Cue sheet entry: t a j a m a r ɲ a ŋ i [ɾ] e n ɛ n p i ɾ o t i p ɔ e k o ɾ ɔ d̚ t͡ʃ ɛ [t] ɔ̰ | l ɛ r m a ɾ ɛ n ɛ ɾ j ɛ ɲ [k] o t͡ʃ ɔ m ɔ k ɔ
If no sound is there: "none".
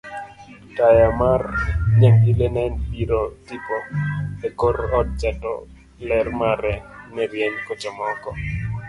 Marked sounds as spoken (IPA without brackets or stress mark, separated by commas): l, t, k